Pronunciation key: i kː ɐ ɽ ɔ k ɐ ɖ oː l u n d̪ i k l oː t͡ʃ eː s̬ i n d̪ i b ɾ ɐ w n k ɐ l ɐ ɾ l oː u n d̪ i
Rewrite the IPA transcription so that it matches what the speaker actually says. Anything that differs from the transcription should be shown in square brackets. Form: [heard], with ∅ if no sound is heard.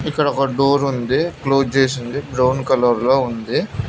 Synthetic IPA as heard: i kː ɐ ɽ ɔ k ɐ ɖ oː [ɾ] u n d̪ i k l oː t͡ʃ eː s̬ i n d̪ i b ɾ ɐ w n k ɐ l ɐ ɾ l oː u n d̪ i